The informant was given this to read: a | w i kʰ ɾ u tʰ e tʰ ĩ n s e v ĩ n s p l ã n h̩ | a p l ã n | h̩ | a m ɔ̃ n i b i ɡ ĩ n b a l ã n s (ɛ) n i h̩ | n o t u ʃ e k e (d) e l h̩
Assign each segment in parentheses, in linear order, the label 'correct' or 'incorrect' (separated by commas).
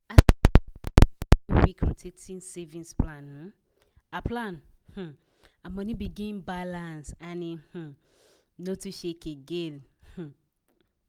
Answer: incorrect, incorrect